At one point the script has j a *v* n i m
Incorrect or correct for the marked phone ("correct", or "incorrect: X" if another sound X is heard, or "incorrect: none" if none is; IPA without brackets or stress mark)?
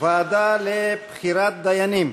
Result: incorrect: none